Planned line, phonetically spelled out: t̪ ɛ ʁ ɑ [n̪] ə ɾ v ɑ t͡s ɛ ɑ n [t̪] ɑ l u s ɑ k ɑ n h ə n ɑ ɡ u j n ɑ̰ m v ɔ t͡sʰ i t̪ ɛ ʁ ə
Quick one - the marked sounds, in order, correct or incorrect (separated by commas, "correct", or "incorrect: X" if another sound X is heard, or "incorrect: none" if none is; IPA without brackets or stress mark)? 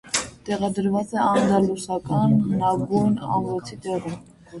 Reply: incorrect: d̪, incorrect: d̪